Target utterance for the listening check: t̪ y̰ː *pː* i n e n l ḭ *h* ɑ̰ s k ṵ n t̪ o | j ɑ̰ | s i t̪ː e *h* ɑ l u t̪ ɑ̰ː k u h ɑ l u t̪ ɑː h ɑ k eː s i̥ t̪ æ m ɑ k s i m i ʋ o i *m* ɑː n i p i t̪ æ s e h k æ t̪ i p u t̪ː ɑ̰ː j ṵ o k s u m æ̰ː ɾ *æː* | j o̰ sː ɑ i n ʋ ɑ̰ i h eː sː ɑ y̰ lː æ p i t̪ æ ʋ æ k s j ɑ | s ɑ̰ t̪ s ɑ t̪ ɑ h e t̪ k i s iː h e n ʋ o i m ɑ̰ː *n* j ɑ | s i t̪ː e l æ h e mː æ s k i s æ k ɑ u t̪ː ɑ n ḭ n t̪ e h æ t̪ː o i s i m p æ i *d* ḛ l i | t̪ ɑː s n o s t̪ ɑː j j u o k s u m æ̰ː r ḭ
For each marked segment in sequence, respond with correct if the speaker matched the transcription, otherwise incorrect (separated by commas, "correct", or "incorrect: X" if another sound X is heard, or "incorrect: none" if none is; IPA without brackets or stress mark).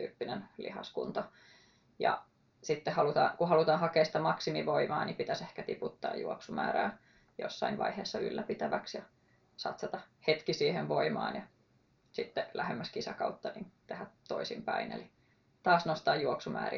correct, correct, correct, correct, correct, correct, incorrect: n